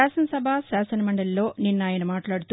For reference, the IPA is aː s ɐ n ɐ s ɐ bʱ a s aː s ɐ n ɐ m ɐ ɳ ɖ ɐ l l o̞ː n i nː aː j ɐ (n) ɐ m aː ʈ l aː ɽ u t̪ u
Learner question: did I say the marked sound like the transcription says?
yes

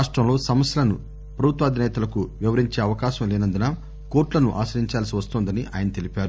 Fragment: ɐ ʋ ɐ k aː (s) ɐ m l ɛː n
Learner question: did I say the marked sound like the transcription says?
no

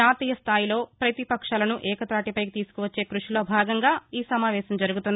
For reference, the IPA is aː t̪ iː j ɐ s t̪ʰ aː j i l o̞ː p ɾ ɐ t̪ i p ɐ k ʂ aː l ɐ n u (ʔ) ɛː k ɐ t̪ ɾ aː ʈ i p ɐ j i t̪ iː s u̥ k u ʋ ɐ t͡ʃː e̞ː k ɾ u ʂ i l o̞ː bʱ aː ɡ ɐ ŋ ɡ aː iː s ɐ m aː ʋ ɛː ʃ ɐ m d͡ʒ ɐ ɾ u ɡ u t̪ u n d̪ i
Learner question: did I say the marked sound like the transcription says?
yes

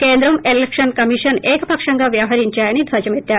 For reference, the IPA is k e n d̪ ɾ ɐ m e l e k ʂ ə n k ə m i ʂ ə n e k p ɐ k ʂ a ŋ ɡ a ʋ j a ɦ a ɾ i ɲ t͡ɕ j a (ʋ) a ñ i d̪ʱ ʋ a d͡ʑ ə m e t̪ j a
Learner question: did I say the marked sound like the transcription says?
no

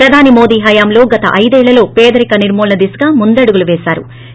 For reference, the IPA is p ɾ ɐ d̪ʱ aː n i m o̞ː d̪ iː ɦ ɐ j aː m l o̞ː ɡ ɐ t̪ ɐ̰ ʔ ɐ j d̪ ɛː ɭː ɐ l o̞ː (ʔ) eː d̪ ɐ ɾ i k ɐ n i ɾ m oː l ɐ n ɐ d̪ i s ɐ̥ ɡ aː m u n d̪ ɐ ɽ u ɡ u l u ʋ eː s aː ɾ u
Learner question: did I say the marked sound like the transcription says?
no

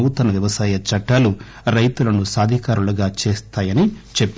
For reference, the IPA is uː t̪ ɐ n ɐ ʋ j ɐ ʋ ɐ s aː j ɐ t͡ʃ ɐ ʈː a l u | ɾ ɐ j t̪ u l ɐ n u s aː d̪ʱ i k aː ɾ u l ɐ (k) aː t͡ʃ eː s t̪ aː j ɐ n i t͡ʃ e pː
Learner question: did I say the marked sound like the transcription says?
no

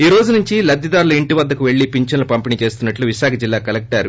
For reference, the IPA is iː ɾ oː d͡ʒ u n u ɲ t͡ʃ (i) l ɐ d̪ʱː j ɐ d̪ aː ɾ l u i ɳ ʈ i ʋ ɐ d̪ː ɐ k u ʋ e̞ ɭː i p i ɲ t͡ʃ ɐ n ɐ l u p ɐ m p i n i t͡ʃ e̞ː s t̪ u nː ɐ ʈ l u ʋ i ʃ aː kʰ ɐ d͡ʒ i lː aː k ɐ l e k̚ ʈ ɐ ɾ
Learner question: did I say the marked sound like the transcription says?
yes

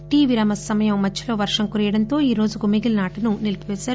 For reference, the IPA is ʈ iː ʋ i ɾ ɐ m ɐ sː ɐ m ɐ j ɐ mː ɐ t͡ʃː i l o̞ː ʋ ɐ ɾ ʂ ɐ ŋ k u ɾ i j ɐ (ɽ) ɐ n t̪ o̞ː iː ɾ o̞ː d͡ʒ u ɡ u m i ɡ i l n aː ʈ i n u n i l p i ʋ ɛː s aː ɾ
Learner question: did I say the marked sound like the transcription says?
yes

